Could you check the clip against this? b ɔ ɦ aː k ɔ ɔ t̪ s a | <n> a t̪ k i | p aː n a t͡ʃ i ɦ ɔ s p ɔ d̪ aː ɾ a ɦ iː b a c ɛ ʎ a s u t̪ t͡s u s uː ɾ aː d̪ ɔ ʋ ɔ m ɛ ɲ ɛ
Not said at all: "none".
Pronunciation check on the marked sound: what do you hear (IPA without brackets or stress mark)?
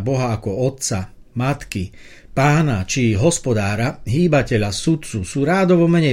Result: m